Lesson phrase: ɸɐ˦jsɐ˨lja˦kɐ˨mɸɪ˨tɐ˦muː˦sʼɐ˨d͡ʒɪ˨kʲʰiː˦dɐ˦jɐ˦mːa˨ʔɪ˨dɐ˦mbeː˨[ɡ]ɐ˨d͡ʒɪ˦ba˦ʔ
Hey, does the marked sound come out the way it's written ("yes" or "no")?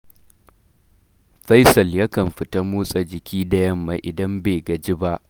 yes